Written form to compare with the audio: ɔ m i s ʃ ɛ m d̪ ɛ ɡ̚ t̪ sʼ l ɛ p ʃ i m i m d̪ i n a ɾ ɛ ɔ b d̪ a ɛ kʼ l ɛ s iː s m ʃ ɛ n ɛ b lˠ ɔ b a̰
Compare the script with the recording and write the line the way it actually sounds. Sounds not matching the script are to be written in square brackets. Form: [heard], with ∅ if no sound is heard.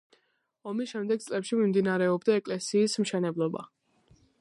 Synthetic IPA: ɔ m i s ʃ ɛ m d̪ ɛ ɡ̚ t̪ sʼ l ɛ p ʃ i m i m d̪ i n a ɾ ɛ ɔ b d̪ a ɛ kʼ l ɛ s iː s m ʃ ɛ n ɛ b lˠ ɔ b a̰